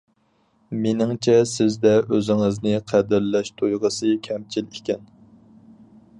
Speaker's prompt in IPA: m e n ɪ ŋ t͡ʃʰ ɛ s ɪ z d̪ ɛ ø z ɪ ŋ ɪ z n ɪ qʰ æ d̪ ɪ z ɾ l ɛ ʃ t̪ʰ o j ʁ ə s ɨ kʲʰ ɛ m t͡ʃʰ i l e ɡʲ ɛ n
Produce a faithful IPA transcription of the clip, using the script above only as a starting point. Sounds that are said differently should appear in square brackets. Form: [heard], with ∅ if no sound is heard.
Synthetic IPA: m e n ɪ ŋ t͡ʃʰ ɛ s ɪ z d̪ ɛ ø z ɪ ŋ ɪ z n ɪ qʰ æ d̪ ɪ [∅] ɾ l ɛ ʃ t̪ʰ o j ʁ ə s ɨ kʲʰ ɛ m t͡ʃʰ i l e [kʲ] ɛ n